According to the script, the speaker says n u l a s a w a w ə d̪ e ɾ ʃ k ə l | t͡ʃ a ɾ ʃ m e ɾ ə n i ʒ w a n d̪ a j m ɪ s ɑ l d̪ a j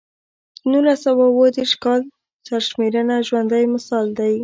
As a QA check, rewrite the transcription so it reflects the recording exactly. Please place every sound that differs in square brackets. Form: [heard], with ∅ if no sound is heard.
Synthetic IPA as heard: n u l a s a w a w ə d̪ e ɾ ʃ k [ɑ] l | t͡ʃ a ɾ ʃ m e ɾ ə n [a] ʒ w a n d̪ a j m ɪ s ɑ l d̪ a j

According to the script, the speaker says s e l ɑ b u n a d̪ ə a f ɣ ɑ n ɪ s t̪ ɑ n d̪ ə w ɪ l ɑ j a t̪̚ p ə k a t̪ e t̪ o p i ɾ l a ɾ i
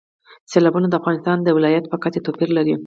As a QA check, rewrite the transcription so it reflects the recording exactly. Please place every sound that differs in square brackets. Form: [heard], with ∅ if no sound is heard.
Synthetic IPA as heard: s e l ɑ b u n a d̪ ə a f ɣ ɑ n ɪ s t̪ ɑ n d̪ ə w ɪ l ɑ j a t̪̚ p ə k a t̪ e t̪ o p i ɾ l a ɾ i

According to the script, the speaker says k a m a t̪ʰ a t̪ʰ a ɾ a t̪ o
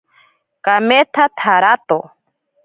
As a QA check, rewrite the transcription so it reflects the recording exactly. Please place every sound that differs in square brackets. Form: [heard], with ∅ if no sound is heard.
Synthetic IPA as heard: k a m [e] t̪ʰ a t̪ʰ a ɾ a t̪ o

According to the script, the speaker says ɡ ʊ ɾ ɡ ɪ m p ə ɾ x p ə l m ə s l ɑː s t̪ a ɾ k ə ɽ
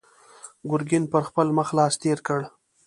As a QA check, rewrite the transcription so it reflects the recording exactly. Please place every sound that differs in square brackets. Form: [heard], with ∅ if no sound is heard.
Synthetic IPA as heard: ɡ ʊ ɾ ɡ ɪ [n] p ə ɾ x p ə l m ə [x] l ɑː s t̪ [e] ɾ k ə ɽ

